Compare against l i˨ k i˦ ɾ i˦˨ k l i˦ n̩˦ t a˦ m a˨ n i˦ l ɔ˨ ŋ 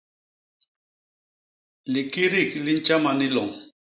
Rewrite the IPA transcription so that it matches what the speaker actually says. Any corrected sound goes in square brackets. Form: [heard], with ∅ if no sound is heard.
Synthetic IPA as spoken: l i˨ k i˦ ɾ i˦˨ k l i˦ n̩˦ [t͡ʃ] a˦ m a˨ n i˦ l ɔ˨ ŋ